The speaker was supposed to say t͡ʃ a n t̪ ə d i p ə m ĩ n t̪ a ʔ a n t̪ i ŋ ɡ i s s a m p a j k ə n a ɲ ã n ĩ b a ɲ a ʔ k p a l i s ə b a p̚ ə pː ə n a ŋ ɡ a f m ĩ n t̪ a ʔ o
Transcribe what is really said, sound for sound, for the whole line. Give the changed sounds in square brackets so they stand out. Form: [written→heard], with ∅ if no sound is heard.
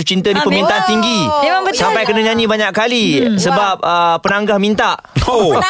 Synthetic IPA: t͡ʃ [a→i] n t̪ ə d i p ə m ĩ n t̪ a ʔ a n t̪ i ŋ ɡ i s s a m p a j k ə n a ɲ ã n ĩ b a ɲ a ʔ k [p→k] a l i s ə b a p̚ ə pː ə n a ŋ ɡ a [f→h] m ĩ n t̪ a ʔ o